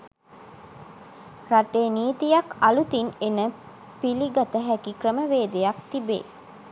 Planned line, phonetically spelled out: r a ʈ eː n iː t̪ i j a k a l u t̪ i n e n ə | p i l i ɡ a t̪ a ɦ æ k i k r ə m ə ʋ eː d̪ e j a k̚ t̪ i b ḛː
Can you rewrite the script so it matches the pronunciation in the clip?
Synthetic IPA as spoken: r a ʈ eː n iː t̪ i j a k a l u t̪ i n e n ə | p i l i ɡ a t̪ ə ɦ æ k i k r ə m ə ʋ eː d̪ e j a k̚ t̪ i b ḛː